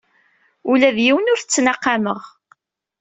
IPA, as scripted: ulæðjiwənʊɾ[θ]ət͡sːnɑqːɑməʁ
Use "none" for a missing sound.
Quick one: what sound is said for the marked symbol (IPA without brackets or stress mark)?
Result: θ